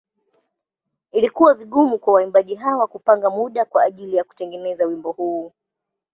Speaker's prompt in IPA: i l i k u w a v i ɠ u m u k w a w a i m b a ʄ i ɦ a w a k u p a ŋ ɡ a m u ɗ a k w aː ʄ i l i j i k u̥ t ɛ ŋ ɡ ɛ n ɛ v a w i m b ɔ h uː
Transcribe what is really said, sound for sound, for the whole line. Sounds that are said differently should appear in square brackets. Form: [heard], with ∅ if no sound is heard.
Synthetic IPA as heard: i l i k u w a v i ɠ u m u k w a w a i m b a ʄ i ɦ a w a k u p a ŋ ɡ a m u ɗ a k w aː ʄ i l i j [a] k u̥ t ɛ ŋ ɡ ɛ n ɛ [z] a w i m b ɔ h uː